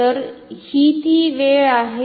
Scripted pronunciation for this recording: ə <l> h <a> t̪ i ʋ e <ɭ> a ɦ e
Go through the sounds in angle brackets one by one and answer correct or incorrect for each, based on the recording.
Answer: incorrect, incorrect, correct

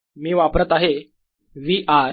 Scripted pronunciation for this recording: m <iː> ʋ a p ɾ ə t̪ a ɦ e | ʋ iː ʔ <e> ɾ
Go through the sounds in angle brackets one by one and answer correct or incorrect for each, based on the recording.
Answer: correct, incorrect

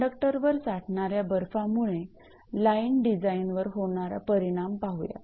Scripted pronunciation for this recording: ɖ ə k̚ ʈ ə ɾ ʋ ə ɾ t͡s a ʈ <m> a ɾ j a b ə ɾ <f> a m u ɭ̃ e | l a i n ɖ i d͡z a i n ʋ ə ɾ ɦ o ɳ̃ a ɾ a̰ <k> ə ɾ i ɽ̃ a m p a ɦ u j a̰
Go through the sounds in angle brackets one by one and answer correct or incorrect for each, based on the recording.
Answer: incorrect, correct, incorrect

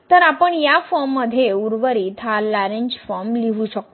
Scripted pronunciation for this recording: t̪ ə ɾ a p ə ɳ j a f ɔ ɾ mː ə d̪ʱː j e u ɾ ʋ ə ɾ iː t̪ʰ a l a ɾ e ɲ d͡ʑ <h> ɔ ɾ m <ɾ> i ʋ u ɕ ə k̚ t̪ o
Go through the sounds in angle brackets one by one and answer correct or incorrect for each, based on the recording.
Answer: incorrect, incorrect

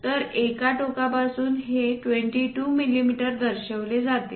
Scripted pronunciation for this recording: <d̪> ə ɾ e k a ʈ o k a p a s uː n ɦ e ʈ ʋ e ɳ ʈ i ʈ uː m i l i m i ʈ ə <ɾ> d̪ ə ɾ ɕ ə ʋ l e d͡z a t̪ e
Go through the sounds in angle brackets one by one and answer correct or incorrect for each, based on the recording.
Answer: incorrect, correct

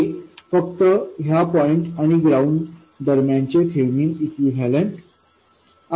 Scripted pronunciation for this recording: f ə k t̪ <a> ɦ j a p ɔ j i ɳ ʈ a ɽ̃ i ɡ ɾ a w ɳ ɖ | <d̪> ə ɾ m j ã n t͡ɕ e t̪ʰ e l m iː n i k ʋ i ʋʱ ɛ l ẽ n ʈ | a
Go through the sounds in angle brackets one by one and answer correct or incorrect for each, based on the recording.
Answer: incorrect, correct

